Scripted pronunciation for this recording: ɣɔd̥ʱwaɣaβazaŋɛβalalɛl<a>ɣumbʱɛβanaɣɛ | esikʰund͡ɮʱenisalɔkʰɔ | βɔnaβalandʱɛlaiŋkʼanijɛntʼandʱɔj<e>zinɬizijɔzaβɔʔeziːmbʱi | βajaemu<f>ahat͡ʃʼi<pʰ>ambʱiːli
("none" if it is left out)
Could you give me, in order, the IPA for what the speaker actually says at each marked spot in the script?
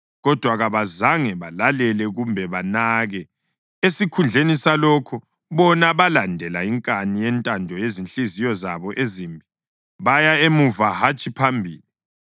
ɛ, e, v, pʰ

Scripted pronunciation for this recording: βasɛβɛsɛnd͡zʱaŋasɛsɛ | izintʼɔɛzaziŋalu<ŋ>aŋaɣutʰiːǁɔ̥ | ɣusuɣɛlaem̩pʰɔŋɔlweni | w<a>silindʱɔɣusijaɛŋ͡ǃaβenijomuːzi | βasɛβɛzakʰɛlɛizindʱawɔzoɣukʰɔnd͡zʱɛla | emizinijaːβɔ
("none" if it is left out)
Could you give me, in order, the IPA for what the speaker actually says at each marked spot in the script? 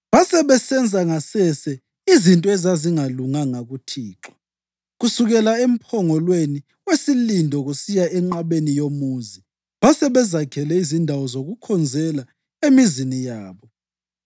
ŋ, e

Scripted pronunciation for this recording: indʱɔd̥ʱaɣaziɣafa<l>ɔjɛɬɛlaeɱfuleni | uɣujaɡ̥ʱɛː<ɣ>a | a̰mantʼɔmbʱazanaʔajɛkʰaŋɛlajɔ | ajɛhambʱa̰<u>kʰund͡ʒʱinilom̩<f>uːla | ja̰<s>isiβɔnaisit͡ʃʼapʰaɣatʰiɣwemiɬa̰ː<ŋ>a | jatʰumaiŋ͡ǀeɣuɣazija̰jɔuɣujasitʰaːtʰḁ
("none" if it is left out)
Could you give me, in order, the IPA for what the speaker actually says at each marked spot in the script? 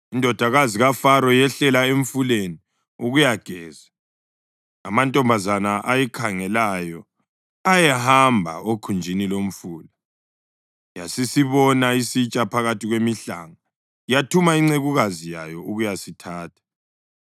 ɾ, z, o, f, s, ŋ

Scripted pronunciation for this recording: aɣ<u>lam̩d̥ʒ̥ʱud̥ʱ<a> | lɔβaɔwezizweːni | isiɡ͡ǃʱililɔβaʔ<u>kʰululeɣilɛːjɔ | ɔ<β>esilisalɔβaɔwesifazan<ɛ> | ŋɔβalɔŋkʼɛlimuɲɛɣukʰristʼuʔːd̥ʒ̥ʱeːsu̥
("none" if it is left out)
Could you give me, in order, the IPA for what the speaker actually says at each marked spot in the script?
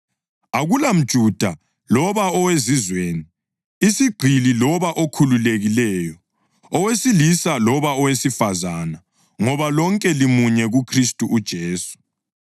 u, a, o, w, a

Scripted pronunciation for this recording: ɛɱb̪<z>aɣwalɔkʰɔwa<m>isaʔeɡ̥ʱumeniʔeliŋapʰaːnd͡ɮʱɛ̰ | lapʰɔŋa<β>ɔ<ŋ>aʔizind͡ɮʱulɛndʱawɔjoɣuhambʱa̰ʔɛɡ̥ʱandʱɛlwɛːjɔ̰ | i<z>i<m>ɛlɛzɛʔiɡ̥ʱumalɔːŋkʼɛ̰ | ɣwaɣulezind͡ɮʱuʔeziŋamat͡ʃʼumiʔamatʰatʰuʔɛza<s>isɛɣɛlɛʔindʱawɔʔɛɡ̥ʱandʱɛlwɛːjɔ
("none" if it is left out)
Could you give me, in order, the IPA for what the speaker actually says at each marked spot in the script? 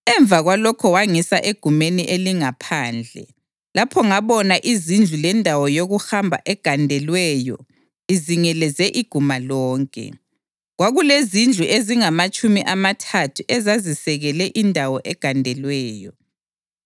v, ŋ, β, n, z, ŋ, z

